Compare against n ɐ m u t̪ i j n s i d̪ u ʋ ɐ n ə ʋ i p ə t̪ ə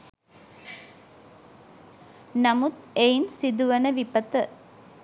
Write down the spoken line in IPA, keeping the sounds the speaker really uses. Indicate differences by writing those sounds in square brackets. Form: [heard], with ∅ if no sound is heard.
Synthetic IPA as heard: n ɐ m u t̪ [e] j n s i d̪ u ʋ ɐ n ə ʋ i p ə t̪ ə